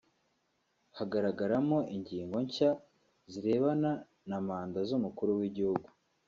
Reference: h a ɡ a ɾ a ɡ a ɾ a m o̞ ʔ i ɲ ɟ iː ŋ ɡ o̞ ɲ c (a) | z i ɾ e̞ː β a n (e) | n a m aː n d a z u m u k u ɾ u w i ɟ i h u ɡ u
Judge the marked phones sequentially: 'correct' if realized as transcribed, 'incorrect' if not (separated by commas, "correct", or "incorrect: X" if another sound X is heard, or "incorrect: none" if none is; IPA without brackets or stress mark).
correct, incorrect: a